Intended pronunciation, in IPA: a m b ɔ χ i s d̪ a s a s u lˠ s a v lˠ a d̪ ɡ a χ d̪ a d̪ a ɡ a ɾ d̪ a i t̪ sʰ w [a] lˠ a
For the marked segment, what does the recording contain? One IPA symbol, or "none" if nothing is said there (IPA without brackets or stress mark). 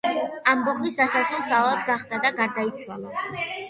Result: a